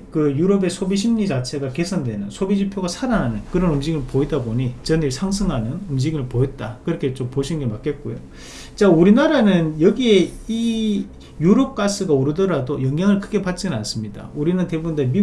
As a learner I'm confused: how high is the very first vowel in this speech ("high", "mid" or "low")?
high